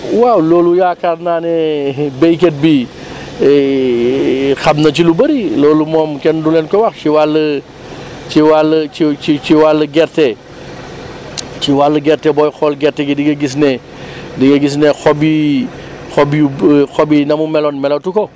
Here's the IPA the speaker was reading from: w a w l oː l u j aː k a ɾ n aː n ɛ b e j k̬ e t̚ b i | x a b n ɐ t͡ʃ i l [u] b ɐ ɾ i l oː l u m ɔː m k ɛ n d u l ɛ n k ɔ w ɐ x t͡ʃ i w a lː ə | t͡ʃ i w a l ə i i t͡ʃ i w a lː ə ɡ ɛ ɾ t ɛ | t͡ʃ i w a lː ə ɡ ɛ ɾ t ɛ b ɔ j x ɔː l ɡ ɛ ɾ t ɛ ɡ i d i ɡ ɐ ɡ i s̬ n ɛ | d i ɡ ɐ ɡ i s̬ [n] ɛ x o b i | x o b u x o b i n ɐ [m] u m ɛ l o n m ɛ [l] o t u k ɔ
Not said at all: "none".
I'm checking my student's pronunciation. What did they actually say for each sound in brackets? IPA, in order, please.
u, n, m, l

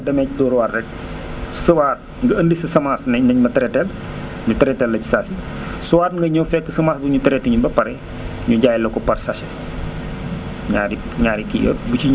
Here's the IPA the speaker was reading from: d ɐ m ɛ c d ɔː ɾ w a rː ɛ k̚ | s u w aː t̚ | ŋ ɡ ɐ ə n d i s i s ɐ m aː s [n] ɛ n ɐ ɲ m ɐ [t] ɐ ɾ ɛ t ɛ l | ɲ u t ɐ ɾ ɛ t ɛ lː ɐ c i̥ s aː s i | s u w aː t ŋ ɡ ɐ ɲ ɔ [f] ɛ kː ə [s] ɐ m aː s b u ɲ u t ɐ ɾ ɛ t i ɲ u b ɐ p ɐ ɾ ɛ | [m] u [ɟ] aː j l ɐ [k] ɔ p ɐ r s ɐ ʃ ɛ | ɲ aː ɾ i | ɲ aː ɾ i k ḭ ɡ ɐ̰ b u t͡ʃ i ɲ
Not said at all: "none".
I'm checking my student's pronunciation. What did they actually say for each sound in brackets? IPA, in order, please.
n, t, f, s, ɲ, ɟ, k

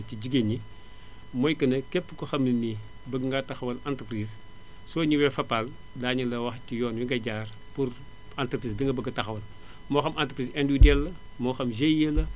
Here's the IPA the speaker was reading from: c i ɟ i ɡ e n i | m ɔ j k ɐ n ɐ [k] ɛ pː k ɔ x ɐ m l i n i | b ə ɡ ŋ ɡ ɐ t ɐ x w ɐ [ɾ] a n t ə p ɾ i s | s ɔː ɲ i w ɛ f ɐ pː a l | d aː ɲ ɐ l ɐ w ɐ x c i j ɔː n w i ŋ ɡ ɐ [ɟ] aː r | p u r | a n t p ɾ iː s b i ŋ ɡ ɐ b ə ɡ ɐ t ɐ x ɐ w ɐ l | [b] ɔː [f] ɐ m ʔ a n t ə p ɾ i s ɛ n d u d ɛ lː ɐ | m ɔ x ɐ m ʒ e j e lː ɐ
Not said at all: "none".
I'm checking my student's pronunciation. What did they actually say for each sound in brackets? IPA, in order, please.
k, l, ɟ, m, x

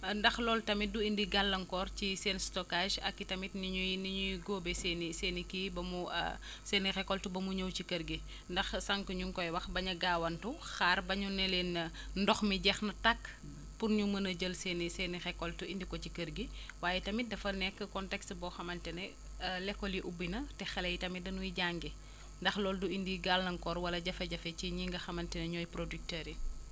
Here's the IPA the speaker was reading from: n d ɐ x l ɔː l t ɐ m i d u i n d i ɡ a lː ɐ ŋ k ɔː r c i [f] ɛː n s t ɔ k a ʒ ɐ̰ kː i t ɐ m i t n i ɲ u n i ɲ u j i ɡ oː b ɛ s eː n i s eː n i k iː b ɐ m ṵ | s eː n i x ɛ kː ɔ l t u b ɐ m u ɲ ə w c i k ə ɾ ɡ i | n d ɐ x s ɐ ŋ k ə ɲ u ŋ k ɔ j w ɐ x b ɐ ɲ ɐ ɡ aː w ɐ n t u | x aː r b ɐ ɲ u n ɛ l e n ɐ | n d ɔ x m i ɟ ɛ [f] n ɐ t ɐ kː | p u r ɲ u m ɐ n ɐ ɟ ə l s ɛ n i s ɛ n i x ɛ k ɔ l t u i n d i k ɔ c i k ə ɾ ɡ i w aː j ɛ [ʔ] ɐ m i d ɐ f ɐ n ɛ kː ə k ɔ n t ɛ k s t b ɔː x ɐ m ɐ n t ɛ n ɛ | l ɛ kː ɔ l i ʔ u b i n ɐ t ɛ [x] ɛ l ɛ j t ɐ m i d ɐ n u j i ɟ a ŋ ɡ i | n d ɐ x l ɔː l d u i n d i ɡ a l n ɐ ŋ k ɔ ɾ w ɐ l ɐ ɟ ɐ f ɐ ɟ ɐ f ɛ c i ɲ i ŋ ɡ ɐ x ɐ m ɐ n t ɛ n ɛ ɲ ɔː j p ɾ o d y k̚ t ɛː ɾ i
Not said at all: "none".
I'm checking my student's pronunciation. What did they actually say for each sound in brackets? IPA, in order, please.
s, x, t, x

